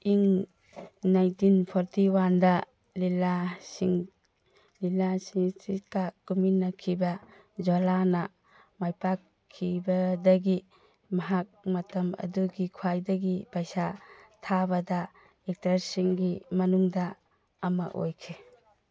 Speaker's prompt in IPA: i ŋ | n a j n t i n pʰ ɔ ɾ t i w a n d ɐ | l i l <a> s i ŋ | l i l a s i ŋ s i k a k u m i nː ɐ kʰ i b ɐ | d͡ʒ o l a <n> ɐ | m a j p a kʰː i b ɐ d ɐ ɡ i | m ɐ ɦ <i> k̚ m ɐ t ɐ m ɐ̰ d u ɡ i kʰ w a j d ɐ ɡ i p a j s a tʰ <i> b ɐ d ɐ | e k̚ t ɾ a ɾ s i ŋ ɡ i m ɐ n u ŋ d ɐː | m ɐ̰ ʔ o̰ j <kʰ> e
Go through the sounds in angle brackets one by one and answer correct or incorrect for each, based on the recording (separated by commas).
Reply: correct, correct, incorrect, incorrect, correct